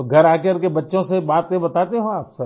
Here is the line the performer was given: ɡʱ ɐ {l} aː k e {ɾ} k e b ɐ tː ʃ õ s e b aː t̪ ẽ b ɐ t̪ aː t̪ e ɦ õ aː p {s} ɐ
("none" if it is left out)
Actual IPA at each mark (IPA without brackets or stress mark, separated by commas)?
ɾ, ɾ, s